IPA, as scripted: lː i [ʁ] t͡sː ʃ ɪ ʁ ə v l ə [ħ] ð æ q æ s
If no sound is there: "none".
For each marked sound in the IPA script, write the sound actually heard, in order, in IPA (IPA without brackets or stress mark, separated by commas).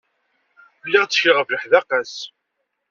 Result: ʁ, ħ